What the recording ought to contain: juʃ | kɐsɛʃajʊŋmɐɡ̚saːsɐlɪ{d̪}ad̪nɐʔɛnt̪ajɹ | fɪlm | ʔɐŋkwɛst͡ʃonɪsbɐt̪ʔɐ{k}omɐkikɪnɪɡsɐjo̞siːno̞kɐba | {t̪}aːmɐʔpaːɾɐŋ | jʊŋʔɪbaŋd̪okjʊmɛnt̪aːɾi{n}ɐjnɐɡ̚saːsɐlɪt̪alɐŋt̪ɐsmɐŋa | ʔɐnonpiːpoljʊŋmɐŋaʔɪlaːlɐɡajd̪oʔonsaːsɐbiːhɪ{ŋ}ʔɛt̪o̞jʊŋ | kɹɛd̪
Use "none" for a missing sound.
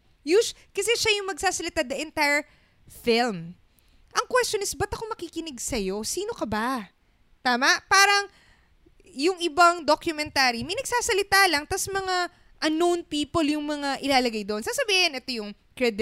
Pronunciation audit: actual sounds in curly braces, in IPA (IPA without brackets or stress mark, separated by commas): t̪, k, t̪, m, n